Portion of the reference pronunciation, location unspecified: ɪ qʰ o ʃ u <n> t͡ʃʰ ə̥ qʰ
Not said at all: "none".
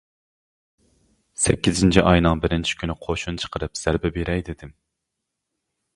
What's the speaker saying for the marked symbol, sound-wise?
n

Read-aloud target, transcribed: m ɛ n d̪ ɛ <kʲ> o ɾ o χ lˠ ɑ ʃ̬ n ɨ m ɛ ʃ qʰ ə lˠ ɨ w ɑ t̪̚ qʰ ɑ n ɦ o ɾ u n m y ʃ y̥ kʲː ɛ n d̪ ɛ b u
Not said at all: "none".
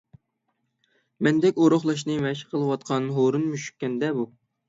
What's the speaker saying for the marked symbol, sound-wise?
kʲ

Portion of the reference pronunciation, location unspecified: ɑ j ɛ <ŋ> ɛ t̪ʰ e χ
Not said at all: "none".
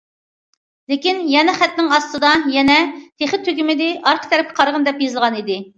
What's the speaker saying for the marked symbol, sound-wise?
n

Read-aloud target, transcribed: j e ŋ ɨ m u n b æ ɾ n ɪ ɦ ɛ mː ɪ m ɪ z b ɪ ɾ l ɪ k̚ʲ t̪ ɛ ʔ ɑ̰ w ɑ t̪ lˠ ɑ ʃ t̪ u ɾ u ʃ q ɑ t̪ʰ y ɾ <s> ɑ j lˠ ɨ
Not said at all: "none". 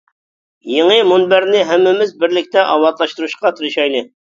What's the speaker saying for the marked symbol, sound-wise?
ʃ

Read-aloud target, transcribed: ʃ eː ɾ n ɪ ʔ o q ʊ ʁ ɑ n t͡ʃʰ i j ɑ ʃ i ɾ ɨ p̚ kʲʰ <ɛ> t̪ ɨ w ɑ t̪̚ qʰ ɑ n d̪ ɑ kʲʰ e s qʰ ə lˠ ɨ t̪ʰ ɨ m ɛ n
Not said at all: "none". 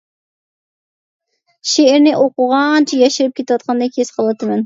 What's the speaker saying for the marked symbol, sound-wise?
e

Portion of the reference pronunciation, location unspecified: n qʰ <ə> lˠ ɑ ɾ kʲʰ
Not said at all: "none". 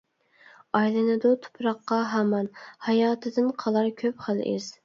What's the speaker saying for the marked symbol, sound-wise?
ɑ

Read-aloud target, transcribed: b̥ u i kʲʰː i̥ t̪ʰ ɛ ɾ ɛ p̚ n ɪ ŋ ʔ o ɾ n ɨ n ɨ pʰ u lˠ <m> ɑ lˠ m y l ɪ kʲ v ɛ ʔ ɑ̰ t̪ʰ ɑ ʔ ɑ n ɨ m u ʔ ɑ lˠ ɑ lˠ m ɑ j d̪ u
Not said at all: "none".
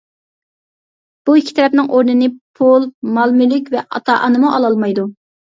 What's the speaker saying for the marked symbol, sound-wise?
m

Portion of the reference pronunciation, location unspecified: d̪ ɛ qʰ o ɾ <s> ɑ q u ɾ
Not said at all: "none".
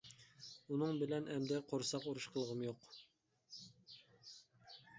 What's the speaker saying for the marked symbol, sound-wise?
s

